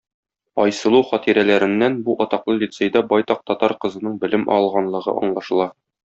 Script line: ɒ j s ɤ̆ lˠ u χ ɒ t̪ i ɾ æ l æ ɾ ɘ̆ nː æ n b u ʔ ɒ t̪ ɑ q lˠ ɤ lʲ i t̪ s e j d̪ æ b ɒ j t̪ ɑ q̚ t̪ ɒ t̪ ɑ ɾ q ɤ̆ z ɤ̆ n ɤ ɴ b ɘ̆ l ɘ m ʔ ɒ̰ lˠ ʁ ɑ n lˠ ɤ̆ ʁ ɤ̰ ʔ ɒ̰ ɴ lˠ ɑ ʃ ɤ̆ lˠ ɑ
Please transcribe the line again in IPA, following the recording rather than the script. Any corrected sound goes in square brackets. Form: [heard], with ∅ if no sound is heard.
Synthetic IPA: ɒ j s ɤ̆ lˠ u χ ɒ t̪ i ɾ æ l æ ɾ ɘ̆ nː æ n b u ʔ ɒ t̪ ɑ q lˠ ɤ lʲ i t̪ s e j d̪ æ b ɒ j t̪ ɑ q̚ t̪ ɒ t̪ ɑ ɾ q ɤ̆ z ɤ̆ n ɤ ɴ b ɘ̆ l ɘ m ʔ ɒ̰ lˠ ʁ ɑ n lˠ ɤ̆ ʁ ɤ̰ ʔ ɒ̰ ɴ lˠ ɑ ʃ ɤ̆ lˠ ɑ